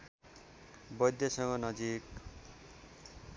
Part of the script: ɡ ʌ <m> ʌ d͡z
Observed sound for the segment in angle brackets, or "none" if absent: n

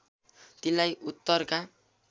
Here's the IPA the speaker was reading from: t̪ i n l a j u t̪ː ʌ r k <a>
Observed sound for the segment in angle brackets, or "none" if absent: a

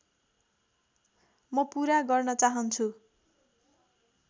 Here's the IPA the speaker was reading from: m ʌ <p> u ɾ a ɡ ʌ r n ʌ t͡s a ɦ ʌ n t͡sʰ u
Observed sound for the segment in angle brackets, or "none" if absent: p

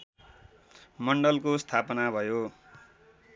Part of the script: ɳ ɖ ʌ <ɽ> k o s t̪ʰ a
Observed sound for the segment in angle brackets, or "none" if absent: l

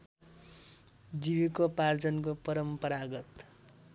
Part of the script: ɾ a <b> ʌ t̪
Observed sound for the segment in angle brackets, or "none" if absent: ɡ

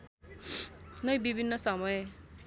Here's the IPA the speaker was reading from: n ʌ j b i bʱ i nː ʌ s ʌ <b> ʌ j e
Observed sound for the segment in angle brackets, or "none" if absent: m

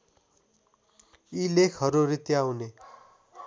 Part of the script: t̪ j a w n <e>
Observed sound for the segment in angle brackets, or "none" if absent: e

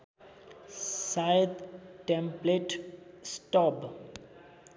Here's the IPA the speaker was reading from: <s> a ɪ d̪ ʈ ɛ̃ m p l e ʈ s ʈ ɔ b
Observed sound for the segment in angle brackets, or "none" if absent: s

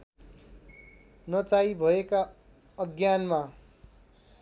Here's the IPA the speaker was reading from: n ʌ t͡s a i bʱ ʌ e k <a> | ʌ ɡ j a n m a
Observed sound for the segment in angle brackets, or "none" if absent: a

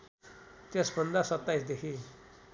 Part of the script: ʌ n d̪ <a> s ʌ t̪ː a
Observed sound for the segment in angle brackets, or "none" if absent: a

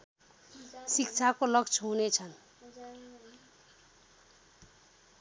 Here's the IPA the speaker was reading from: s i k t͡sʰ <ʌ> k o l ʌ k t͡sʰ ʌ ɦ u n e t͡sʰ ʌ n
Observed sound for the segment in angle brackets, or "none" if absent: a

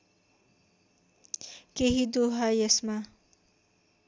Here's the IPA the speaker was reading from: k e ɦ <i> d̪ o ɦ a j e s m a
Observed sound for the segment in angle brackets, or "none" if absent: i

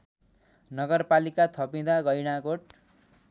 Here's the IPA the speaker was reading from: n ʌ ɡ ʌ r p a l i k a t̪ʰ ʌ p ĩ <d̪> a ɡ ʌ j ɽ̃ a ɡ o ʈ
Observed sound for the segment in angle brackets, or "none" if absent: d̪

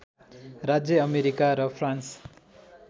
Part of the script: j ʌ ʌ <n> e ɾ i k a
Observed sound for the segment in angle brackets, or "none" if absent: m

